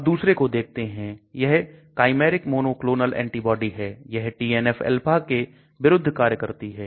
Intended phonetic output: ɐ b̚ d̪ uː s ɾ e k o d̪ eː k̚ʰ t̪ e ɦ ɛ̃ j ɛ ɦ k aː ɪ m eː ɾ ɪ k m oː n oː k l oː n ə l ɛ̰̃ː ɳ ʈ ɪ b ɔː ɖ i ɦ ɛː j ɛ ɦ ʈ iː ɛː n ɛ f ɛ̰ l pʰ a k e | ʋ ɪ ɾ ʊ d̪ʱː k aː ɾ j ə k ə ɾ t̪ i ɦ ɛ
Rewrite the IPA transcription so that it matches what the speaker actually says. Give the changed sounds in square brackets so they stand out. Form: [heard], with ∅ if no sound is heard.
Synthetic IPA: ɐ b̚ d̪ uː s ɾ e k o d̪ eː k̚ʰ t̪ e ɦ ɛ̃ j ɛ ɦ k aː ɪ m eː ɾ ɪ k m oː n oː k l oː n ə l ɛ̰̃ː ɳ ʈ [i] b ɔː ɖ i ɦ ɛː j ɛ ɦ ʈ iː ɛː n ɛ f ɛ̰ l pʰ a k e | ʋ ɪ ɾ ʊ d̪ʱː k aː ɾ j ə k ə ɾ t̪ i ɦ [ɛː]